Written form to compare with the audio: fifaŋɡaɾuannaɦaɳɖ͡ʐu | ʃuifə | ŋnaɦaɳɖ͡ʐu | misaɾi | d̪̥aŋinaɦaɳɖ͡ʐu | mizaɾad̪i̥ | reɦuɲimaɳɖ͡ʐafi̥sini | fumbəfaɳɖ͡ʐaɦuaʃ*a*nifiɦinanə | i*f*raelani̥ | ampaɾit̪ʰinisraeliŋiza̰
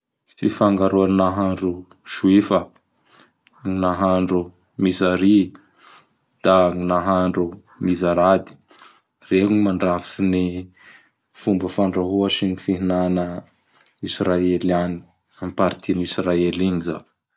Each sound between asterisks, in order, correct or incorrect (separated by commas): incorrect, incorrect